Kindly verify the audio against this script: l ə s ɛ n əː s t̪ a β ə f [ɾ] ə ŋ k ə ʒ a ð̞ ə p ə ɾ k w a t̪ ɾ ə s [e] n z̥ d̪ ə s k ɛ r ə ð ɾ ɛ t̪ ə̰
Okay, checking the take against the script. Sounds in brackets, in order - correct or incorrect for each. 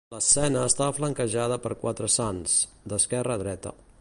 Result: incorrect: l, incorrect: a

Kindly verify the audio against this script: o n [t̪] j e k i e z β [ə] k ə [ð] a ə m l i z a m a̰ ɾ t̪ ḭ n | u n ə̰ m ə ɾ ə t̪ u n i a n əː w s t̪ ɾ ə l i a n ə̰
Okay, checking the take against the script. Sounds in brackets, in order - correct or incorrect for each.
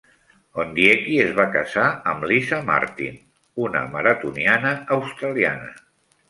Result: incorrect: d̪, incorrect: a, incorrect: z

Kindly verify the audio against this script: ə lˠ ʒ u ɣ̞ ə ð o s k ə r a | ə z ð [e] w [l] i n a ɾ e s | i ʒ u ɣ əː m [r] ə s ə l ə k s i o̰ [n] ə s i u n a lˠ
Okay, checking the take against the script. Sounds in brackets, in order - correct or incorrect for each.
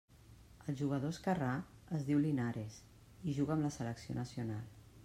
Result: incorrect: i, correct, incorrect: l, correct

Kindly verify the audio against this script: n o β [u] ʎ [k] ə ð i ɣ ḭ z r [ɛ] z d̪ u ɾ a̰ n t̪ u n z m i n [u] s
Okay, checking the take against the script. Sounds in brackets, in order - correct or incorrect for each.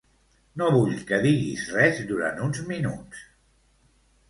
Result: correct, correct, correct, correct

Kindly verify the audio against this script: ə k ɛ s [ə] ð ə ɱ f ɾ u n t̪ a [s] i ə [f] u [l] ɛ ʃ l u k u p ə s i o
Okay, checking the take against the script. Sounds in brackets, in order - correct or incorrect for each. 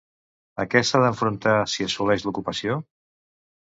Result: incorrect: a, correct, incorrect: s, correct

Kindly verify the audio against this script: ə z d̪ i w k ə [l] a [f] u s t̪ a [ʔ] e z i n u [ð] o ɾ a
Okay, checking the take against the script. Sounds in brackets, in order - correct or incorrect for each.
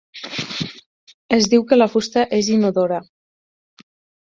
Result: correct, correct, correct, correct

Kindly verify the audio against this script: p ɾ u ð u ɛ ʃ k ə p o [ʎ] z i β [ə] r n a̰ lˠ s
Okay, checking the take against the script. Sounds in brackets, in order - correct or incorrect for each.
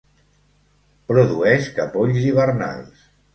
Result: correct, correct

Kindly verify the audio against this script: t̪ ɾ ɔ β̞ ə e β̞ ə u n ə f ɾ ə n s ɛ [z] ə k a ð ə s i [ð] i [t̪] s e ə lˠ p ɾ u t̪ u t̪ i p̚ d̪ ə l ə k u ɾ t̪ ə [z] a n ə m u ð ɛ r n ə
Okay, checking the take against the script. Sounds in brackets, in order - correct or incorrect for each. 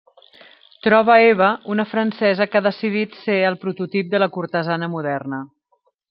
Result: correct, correct, correct, correct

